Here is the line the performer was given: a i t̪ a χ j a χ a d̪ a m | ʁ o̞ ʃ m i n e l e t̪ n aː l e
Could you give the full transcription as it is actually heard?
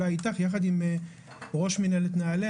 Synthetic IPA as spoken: a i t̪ a χ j a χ a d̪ i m | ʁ o̞ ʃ m i n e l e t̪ n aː l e